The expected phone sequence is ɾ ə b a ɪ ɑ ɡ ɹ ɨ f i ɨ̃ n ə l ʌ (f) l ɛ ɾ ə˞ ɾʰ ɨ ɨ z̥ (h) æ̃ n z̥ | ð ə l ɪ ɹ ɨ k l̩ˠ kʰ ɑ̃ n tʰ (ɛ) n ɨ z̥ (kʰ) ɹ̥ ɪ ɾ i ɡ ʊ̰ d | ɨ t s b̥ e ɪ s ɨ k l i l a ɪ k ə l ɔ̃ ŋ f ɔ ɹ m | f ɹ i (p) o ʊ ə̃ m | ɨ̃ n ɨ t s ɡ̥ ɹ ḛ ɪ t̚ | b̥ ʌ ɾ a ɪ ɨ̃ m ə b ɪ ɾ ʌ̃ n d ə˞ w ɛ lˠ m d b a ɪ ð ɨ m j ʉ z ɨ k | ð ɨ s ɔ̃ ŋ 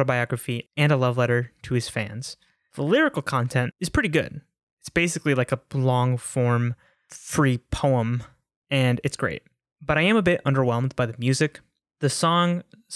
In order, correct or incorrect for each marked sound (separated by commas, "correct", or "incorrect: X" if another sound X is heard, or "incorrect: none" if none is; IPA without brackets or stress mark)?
incorrect: v, incorrect: f, incorrect: ɛ̃, incorrect: pʰ, incorrect: pʰ